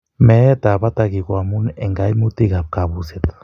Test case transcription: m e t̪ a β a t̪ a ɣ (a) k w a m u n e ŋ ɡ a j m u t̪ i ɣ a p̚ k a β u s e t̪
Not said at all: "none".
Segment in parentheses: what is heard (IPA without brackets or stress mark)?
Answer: i